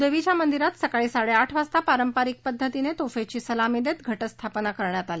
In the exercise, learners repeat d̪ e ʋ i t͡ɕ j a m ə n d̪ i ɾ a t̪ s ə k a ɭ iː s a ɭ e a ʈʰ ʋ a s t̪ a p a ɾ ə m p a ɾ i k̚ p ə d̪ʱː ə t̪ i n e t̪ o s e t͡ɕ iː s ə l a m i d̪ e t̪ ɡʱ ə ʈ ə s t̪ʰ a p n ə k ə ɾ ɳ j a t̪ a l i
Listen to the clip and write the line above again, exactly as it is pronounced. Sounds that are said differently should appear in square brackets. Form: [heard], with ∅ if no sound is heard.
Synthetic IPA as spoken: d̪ e ʋ i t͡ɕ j a m ə n d̪ i ɾ a t̪ s ə k a ɭ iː s a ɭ e a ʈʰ ʋ a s t̪ a p a ɾ ə m p a ɾ i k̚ p ə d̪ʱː ə t̪ i n e t̪ o [f] e t͡ɕ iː s ə l a m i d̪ e t̪ ɡʱ ə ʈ ə s t̪ʰ a p n [a] k ə ɾ ɳ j a t̪ a l i